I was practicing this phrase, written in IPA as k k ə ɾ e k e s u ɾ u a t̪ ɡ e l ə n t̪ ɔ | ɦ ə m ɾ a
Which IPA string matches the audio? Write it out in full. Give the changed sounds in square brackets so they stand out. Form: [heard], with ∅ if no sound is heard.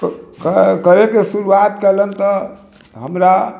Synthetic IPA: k k ə ɾ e k e s u ɾ u a t̪ [k] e l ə n t̪ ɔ | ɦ ə m ɾ a